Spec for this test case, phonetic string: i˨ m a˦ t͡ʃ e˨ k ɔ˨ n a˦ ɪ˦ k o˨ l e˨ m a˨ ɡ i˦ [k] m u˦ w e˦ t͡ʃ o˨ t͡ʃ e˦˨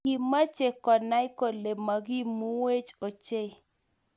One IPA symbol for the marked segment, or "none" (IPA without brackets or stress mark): none